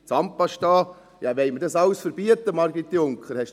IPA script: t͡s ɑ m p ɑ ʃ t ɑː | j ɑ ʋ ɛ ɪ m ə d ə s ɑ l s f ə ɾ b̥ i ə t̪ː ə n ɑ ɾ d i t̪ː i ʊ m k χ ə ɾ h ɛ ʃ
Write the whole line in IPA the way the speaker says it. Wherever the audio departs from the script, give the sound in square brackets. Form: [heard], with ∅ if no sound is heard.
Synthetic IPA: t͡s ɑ m p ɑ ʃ t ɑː | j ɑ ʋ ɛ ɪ m ə d [ɑ] s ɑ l s f ə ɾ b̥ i ə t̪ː ə [m] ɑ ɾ [ɡ] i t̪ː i ʊ [ŋ] k χ ə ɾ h ɛ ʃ